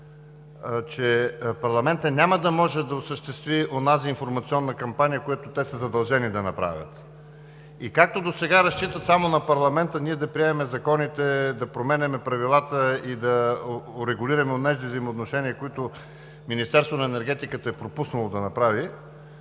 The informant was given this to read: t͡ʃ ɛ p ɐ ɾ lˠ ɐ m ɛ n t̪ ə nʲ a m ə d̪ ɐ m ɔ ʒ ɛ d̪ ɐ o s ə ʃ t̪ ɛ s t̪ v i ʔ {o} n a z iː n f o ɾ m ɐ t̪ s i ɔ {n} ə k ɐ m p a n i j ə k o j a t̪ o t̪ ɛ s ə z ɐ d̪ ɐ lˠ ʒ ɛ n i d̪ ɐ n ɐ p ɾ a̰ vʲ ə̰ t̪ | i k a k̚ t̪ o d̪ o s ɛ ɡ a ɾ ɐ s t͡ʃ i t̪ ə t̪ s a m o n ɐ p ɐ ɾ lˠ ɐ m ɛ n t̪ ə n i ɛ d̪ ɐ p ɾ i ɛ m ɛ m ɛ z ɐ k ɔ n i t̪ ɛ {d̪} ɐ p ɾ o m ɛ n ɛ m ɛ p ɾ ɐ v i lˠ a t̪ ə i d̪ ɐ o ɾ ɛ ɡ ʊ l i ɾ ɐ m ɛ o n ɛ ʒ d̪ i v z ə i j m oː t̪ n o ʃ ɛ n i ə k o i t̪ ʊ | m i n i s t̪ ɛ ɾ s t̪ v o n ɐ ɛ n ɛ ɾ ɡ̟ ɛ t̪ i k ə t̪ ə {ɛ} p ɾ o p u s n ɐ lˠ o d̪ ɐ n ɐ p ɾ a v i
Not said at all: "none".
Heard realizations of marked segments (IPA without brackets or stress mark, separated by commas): o, nː, d̪, ɛ